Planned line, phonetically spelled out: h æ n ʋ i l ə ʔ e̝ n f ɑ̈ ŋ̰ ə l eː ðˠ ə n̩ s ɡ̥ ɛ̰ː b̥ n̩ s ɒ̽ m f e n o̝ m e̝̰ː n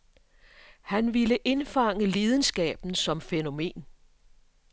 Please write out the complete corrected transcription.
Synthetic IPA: h æ n ʋ i l ə ʔ e̝ n f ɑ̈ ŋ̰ ə l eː ðˠ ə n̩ s ɡ̥ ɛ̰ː b̥ n̩ s ɒ̽ m f e n o̝ m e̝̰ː n

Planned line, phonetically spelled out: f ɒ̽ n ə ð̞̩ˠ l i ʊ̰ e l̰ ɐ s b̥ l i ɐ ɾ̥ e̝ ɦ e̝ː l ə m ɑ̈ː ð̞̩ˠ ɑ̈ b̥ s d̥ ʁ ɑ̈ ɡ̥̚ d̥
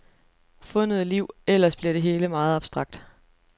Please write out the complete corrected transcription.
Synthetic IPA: f ɔ̽ n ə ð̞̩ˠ l i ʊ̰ e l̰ ɐ s b̥ l i ɐ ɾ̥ e̝ ɦ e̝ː l ə m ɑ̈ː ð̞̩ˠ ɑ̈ b̥ s d̥ ʁ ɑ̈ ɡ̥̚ d̥

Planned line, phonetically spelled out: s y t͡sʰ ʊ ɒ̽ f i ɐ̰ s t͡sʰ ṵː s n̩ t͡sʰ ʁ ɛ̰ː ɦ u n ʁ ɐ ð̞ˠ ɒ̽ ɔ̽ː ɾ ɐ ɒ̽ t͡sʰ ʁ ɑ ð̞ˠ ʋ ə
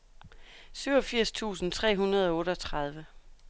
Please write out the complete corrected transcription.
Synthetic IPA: s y ʊ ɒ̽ f i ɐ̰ s t͡sʰ ṵː s n̩ t͡sʰ ʁ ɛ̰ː ɦ u n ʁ ɐ ð̞ˠ ɒ̽ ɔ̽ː ɾ ə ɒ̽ t͡sʰ ʁ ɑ ð̞ˠ ʋ ə

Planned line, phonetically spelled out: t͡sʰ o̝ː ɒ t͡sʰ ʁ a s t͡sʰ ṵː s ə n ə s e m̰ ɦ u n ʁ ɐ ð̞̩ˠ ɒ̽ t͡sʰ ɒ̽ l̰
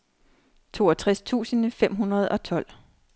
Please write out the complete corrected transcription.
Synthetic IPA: t͡sʰ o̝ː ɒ t͡sʰ ʁ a s t͡sʰ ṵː s ə n ə f e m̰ ɦ u n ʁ ɐ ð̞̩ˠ ɒ̽ t͡sʰ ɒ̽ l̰

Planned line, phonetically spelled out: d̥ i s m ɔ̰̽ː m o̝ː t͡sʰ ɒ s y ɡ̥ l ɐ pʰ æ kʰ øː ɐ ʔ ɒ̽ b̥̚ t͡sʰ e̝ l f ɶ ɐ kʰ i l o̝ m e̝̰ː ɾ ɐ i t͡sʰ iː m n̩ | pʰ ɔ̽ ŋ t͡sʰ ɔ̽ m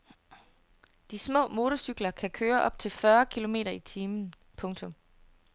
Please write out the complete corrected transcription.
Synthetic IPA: d̥ i s m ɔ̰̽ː m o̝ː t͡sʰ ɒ s y ɡ̥ l ɐ kʰ æ kʰ øː ɐ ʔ ɒ̽ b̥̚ t͡sʰ e̝ l f ɶ ɐ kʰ i l o̝ m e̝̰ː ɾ ɐ i t͡sʰ iː m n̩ | pʰ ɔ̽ ŋ t͡sʰ ɔ̽ m

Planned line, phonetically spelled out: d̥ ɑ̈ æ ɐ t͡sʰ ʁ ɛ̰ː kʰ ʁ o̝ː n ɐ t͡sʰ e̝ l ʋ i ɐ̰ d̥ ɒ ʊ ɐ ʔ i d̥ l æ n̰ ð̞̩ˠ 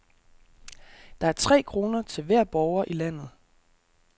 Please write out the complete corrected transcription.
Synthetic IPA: d̥ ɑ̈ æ ɐ t͡sʰ ʁ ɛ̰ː kʰ ʁ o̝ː n ɐ t͡sʰ e̝ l ʋ æ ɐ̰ b̥ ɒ ʊ ɐ ʔ i l æ n̰ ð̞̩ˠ

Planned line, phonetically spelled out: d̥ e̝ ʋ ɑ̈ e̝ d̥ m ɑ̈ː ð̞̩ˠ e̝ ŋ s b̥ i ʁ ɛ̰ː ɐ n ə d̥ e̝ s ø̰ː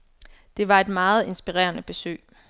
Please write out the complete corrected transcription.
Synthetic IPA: d̥ e̝ ʋ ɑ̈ e̝ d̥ m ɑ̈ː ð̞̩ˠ e̝ n s b̥ i ʁ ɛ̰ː ɐ n ə b̥ e̝ s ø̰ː

